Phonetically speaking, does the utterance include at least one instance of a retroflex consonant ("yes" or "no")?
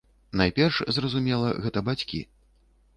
yes